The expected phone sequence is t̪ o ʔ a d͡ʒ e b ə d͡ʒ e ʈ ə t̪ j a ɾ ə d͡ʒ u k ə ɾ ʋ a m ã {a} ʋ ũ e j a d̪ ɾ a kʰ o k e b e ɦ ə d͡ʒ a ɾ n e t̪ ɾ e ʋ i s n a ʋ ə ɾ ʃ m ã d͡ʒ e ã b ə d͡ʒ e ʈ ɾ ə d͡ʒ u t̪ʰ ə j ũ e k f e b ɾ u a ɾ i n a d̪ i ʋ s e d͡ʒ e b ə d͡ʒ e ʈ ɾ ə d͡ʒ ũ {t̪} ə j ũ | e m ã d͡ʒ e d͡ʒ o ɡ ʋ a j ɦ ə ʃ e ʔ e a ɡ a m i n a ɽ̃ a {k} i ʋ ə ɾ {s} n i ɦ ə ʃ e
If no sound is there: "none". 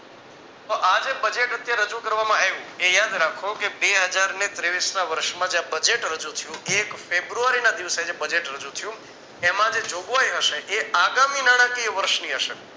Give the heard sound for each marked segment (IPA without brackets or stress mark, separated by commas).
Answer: e, t̪ʰ, k, ʃ